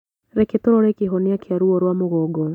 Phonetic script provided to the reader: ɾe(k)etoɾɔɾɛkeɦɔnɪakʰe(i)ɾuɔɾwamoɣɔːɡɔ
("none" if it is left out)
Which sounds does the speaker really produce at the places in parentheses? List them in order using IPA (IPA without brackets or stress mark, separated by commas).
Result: k, a